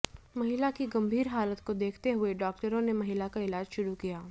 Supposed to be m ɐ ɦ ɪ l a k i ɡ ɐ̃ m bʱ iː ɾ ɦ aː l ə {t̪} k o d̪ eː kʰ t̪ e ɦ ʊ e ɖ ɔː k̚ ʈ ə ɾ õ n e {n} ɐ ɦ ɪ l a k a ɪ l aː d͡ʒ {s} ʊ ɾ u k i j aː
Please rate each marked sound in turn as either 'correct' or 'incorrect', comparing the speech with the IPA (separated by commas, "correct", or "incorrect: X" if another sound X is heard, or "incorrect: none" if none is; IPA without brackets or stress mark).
correct, incorrect: m, incorrect: ʃ